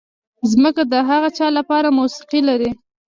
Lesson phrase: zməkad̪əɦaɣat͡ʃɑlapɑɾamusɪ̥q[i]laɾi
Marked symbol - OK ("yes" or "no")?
yes